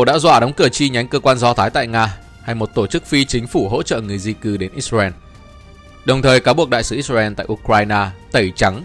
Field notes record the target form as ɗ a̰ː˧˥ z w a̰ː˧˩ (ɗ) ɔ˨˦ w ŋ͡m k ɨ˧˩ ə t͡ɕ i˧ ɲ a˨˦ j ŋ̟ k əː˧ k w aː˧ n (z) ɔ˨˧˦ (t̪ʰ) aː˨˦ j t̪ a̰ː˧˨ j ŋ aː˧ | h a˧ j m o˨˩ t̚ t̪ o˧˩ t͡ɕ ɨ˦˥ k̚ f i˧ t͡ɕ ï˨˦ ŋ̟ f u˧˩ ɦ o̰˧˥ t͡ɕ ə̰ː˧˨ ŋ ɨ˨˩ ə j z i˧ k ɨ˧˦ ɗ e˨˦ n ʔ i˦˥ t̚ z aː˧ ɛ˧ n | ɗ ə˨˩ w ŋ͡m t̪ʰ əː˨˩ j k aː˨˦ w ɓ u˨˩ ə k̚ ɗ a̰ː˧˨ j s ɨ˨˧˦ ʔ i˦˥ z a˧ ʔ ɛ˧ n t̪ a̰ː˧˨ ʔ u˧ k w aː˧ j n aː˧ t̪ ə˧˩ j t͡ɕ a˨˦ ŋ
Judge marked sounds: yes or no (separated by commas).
yes, yes, yes